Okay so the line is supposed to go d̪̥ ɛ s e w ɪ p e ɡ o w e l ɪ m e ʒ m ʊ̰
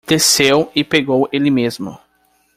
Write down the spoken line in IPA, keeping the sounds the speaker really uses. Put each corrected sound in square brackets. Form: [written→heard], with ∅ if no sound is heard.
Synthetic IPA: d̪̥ [ɛ→e] s e w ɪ p e ɡ o w e l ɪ m e [ʒ→z] m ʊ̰